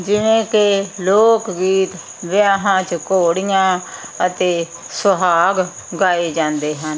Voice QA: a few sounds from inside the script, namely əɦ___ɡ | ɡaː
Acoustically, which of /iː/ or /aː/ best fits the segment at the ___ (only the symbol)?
aː